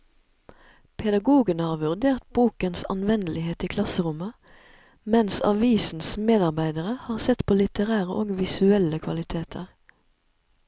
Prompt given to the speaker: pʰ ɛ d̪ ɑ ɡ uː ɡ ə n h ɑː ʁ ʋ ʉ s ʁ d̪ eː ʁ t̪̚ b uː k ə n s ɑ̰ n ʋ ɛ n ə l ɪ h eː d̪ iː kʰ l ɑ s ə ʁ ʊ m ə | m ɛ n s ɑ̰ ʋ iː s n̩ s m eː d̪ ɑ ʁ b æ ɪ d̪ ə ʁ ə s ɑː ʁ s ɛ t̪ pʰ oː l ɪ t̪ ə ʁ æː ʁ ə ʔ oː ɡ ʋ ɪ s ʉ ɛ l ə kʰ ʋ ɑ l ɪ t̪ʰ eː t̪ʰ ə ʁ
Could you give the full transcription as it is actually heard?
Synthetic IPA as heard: pʰ ɛ d̪ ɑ ɡ uː ɡ ə n h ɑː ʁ ʋ ʉ ʁ d̪ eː ʁ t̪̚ b uː k ə n s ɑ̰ n ʋ ɛ n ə l ɪ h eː t̪ iː kʰ l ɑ s ə ʁ ʊ m ə | m ɛ n s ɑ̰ ʋ iː s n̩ s m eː d̪ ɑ ʁ b æ ɪ d̪ ə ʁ ə h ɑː ʁ s ɛ t̪ pʰ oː l ɪ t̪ ə ʁ æː ʁ ə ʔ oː ɡ ʋ ɪ s ʉ ɛ l ə kʰ ʋ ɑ l ɪ t̪ʰ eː t̪ʰ ə ʁ